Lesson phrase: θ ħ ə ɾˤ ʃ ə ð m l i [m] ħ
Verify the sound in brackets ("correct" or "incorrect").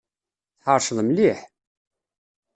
incorrect